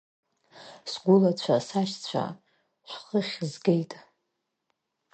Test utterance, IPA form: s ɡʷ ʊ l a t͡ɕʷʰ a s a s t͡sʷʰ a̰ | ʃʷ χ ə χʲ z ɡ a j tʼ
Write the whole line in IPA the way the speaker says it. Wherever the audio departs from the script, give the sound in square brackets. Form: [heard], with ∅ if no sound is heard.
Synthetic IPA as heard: s ɡʷ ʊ l a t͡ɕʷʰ a s a [ʃ] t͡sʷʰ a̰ | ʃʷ χ ə χʲ z ɡ [e] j tʼ